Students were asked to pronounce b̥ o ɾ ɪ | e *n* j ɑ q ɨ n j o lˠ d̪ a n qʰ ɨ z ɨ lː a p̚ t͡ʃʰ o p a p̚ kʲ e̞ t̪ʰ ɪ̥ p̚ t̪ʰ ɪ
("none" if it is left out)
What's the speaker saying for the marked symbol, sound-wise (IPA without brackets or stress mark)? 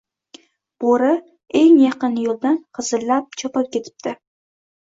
ŋ